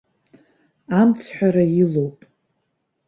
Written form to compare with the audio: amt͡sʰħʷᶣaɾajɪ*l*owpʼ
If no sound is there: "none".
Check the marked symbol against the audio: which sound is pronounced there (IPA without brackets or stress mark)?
l